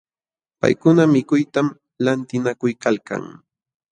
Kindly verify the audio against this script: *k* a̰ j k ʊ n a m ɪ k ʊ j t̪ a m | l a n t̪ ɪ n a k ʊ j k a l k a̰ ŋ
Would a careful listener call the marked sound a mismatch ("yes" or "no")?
yes